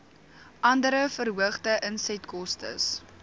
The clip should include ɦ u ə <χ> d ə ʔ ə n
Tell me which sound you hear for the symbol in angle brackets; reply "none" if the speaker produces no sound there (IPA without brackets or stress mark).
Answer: χ